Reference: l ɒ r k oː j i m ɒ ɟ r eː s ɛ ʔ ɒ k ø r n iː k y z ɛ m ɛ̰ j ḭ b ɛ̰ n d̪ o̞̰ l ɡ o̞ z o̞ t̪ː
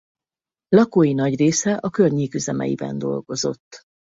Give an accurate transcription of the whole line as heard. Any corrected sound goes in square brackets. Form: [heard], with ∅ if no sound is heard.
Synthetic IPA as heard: l ɒ [∅] k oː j i [n] ɒ ɟ r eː s ɛ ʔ ɒ k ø r [ɲ] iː k y z ɛ m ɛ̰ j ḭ b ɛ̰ n d̪ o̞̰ l ɡ o̞ z o̞ t̪ː